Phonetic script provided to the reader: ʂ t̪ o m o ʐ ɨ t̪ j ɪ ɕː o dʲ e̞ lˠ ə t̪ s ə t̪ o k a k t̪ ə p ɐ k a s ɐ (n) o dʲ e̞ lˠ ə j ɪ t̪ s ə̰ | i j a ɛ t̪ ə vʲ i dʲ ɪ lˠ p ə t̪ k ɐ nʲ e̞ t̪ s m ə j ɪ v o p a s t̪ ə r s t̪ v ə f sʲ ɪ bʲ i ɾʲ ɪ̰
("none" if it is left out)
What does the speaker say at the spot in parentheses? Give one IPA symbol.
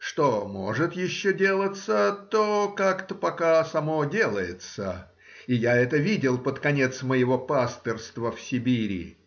m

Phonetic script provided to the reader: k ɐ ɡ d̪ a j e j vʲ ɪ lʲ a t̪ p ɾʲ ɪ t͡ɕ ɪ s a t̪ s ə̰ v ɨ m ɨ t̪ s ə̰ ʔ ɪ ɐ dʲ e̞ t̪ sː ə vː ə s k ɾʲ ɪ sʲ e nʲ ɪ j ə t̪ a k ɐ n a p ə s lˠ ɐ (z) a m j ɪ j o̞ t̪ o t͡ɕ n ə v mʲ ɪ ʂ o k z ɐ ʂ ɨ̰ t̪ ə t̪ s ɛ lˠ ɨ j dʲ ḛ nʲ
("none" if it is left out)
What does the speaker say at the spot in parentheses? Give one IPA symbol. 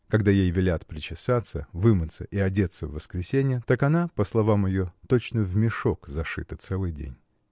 v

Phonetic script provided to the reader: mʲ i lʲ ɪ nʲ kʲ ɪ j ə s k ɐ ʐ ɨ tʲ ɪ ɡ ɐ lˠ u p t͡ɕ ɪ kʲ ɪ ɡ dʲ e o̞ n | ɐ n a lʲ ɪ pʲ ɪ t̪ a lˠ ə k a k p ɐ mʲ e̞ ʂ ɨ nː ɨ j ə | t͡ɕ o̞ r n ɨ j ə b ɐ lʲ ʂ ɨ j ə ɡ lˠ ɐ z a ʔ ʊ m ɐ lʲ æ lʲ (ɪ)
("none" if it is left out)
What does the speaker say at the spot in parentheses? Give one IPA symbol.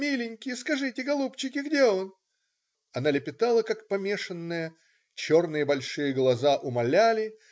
ɪ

